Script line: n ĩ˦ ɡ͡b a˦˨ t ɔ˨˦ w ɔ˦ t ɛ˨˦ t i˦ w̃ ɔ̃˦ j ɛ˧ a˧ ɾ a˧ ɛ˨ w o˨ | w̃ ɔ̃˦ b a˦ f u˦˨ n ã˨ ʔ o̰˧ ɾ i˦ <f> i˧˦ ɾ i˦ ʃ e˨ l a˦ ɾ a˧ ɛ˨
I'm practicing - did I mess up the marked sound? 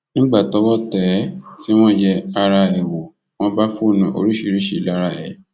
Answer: yes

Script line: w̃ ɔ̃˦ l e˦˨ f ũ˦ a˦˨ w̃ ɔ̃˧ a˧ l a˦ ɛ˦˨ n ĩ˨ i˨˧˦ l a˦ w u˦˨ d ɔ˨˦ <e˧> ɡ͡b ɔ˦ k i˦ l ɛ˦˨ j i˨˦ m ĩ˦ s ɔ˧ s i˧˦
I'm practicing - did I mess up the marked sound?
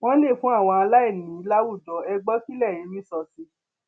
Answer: yes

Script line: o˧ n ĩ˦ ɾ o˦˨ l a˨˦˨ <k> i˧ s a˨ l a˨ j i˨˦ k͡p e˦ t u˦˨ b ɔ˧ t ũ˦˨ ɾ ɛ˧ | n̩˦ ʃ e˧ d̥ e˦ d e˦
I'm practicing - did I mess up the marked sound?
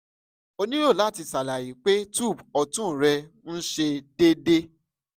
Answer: yes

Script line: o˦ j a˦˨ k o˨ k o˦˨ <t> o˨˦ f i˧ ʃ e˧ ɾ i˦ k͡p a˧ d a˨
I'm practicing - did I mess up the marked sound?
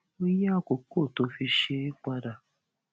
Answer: no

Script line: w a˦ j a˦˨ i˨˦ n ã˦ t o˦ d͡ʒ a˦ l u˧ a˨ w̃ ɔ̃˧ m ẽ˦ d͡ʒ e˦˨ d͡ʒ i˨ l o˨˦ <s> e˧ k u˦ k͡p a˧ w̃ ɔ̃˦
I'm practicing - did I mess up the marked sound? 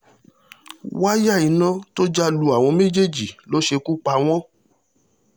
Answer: yes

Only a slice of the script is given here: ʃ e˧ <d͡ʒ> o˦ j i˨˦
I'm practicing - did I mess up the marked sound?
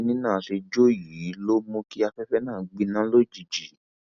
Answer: no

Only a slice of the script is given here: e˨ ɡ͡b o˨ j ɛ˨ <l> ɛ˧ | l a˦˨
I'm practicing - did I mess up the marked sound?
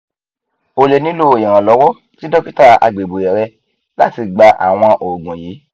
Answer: yes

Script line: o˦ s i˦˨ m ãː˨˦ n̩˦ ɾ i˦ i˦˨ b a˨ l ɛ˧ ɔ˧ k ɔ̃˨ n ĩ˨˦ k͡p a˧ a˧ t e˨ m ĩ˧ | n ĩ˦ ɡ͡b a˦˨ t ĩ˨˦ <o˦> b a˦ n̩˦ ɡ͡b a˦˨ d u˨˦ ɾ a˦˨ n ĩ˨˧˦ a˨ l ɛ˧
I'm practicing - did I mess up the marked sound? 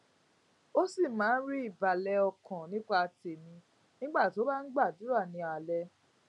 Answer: no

